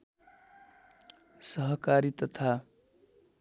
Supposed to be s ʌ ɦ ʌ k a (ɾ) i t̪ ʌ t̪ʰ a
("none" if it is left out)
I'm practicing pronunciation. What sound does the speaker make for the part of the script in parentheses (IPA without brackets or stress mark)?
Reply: ɾ